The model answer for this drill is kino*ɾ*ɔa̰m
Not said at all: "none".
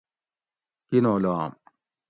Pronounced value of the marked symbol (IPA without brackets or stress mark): l